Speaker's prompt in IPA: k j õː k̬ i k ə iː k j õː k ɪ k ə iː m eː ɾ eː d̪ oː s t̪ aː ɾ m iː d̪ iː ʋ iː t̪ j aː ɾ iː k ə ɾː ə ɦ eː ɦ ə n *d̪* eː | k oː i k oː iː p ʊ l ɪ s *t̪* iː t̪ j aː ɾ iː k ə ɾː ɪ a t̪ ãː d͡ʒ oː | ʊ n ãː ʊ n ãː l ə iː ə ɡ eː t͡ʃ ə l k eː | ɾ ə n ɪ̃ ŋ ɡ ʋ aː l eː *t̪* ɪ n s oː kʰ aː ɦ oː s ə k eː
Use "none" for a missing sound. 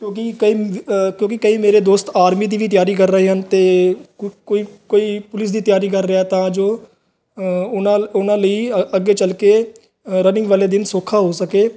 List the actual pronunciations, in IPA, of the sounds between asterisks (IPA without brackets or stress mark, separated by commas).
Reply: t̪, d̪, d̪